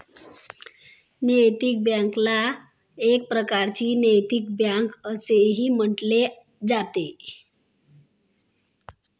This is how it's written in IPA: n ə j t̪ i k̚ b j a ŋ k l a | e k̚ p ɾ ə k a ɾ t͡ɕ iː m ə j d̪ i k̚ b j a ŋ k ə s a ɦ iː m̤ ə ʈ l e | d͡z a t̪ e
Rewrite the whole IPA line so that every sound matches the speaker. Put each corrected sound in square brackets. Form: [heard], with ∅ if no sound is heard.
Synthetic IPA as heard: n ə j t̪ i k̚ b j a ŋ k l a | e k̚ p ɾ ə k a ɾ t͡ɕ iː [n] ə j [t̪] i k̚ b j a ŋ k ə s [e] ɦ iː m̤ ə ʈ l e | d͡z a t̪ e